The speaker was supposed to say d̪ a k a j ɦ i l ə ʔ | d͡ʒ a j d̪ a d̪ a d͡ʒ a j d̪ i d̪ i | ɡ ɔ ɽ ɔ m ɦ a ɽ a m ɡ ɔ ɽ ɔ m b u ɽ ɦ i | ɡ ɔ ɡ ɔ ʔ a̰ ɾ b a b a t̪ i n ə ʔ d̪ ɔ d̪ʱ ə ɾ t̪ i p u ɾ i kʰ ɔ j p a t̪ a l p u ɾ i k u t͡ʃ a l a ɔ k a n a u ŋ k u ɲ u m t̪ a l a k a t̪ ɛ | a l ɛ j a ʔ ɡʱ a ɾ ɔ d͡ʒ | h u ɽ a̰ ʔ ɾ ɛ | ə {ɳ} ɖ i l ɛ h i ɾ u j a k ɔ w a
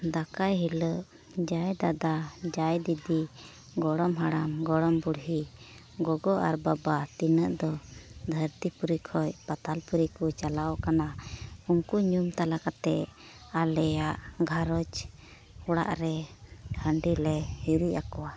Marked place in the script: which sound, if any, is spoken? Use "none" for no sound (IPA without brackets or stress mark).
ɳ